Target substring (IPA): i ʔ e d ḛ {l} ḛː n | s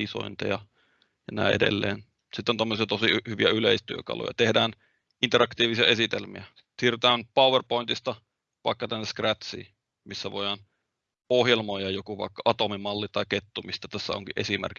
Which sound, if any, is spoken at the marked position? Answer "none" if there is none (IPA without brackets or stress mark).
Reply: lː